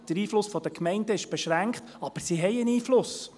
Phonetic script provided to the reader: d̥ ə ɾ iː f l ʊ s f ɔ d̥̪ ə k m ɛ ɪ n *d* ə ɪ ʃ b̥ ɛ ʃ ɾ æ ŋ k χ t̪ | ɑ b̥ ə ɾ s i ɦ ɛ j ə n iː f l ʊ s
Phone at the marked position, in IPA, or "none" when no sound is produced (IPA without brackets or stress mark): d